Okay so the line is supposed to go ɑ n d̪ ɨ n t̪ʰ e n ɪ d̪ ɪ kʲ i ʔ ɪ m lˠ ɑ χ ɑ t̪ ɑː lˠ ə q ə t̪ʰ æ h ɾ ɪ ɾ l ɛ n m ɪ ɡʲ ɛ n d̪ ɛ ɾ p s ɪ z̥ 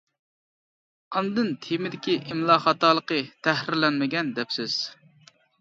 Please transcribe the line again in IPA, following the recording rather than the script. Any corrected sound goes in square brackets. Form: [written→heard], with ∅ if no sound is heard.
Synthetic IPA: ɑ n d̪ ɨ n t̪ʰ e [n→m] ɪ d̪ ɪ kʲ i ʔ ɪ m lˠ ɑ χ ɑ t̪ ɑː lˠ ə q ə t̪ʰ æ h ɾ ɪ ɾ l ɛ n m ɪ ɡʲ ɛ n d̪ ɛ [ɾ→∅] p s ɪ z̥